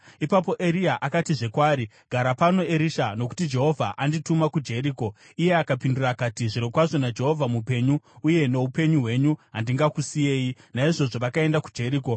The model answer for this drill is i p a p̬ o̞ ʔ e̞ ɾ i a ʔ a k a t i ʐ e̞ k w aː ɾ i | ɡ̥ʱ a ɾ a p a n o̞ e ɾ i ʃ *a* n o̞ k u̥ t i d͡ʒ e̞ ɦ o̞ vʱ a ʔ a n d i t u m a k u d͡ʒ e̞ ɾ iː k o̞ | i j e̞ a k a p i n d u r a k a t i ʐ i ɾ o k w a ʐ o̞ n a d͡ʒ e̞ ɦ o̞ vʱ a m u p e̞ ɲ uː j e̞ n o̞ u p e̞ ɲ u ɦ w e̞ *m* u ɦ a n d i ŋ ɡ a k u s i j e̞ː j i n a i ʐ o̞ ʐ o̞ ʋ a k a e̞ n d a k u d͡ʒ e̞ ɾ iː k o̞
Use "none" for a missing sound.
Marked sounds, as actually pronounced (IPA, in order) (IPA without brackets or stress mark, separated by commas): a, ɲ